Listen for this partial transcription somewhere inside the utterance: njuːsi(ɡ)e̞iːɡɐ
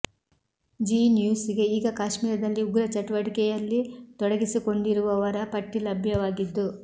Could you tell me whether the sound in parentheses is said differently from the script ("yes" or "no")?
no